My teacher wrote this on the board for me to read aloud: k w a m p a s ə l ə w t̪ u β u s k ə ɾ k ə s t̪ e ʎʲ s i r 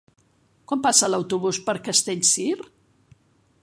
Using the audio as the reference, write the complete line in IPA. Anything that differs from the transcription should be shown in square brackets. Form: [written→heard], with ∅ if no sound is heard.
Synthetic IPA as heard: k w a m p a s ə l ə w t̪ u β u s [k→p] ə ɾ k ə s t̪ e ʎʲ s i r